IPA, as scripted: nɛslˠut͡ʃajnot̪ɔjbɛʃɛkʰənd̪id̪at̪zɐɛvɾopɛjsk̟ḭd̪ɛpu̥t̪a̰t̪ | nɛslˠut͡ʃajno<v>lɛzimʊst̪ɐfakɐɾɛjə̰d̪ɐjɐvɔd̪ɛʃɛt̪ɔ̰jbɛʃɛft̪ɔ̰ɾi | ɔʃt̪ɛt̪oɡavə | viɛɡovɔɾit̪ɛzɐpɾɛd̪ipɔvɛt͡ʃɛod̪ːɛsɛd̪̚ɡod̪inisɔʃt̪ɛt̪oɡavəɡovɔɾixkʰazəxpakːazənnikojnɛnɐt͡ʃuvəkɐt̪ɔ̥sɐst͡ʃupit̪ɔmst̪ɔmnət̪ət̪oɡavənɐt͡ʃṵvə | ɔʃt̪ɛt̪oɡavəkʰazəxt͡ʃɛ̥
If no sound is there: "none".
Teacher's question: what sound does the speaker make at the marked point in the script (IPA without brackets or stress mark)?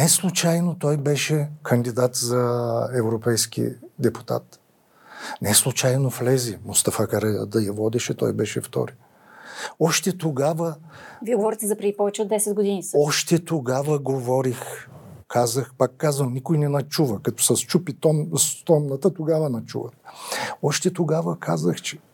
f